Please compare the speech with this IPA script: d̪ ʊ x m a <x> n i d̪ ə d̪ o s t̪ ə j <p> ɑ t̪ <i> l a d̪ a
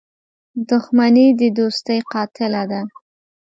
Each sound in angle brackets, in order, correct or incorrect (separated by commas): incorrect, incorrect, incorrect